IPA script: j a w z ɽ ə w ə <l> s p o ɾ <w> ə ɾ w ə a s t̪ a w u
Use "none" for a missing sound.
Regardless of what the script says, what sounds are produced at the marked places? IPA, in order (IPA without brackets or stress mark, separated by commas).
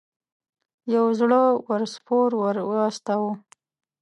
ɾ, w